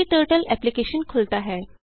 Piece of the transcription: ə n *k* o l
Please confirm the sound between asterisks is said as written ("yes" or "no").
no